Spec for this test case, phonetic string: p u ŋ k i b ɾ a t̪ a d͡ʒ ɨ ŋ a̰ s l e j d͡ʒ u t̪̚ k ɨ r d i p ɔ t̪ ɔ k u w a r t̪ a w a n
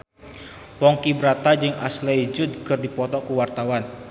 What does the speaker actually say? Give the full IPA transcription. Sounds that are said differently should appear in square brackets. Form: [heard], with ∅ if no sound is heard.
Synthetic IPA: p [ɔ] ŋ k i b ɾ a t̪ a d͡ʒ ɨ ŋ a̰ s l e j d͡ʒ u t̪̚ k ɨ r d i p ɔ t̪ ɔ k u w a r t̪ a w a n